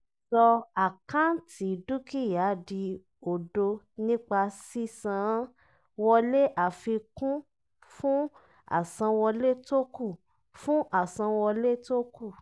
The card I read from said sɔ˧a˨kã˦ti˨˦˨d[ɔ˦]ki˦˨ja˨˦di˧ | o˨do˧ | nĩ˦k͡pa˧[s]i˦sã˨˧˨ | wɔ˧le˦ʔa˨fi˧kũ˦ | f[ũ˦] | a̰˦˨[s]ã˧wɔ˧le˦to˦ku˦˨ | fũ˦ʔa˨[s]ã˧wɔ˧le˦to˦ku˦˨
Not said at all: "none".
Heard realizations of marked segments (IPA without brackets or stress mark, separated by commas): u˦, s, ũ˦, s, s